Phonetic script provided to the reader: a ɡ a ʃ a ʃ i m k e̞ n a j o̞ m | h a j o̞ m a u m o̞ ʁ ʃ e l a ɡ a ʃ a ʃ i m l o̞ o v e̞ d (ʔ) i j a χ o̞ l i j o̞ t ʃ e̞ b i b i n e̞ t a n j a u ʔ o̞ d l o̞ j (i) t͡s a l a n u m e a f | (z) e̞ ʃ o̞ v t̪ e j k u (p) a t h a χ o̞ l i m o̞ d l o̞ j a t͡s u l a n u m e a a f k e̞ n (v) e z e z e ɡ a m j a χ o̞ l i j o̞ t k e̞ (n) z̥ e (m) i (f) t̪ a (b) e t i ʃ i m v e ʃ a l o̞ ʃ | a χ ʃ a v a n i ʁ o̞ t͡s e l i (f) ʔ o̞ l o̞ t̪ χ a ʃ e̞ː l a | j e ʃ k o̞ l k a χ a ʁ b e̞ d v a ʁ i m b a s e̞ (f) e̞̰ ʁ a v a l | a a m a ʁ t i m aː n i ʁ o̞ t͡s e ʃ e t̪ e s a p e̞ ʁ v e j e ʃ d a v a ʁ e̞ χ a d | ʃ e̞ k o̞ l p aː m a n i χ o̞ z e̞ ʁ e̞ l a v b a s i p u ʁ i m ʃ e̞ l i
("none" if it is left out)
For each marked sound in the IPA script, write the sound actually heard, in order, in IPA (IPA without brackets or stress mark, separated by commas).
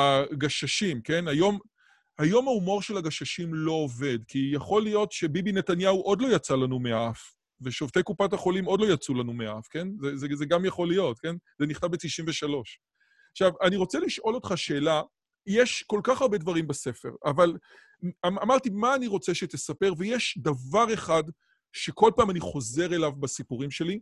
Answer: k, a, v, p, z, n, n, χ, b, ʃ, f